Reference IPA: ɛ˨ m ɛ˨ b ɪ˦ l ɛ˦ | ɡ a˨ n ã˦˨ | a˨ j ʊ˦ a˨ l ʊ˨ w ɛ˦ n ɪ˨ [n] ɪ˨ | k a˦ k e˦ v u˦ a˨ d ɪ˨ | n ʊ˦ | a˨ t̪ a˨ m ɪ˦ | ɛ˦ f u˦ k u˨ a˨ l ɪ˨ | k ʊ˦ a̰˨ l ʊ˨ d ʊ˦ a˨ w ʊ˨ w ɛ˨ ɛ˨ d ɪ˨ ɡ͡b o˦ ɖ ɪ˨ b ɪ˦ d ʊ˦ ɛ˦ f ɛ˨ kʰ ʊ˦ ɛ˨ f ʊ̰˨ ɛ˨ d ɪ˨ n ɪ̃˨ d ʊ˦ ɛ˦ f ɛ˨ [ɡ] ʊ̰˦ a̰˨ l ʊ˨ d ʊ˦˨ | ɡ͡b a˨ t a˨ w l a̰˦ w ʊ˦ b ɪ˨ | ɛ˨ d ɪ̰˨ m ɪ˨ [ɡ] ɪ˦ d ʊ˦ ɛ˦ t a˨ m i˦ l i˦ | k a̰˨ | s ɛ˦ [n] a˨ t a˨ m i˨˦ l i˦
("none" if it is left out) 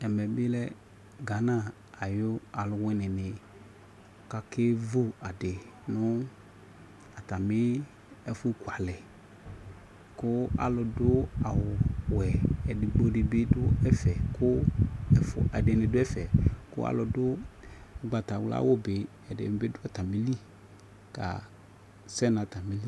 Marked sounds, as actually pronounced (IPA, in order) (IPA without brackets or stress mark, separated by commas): n, k, b, n